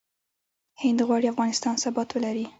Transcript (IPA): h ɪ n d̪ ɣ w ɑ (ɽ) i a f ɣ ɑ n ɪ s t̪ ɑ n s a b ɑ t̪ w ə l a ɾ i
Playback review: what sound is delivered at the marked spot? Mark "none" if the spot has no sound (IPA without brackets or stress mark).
ɽ